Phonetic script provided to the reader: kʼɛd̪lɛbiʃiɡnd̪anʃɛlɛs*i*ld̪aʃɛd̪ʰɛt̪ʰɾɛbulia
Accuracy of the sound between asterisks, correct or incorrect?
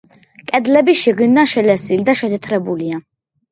correct